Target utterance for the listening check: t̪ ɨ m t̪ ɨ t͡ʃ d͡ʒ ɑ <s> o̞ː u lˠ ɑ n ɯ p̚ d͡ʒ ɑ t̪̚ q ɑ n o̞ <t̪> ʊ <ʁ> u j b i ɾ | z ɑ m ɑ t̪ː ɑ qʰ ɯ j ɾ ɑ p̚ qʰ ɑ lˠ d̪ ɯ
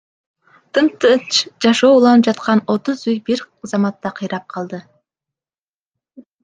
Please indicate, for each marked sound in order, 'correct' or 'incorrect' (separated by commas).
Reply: incorrect, correct, incorrect